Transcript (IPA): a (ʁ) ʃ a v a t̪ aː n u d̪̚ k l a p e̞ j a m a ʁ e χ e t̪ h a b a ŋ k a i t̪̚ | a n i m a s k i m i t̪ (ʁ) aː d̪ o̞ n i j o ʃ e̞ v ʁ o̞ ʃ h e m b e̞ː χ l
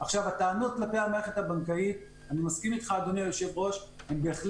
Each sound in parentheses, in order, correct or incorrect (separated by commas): incorrect, incorrect